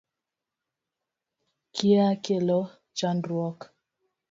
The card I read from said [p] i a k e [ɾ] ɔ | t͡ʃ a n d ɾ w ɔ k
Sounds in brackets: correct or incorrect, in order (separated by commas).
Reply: incorrect, incorrect